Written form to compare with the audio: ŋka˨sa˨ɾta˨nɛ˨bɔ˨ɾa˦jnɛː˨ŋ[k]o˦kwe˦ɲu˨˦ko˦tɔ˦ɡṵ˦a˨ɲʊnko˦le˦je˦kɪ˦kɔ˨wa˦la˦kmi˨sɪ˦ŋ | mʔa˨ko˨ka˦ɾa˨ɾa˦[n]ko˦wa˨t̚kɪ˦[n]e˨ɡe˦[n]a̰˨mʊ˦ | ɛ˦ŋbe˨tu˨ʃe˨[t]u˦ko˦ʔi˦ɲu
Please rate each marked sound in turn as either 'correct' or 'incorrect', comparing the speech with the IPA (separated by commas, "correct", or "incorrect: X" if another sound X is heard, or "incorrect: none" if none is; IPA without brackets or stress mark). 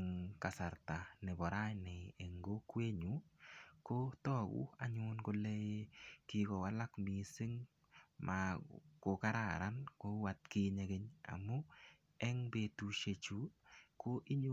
incorrect: ɡ, correct, incorrect: ɲ, incorrect: ɲ, incorrect: t͡ʃ